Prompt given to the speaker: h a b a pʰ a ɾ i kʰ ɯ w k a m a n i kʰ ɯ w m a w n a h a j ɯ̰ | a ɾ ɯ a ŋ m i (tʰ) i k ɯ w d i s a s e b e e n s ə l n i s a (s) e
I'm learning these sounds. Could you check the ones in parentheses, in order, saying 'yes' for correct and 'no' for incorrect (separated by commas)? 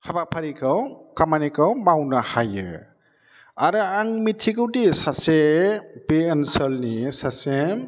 yes, yes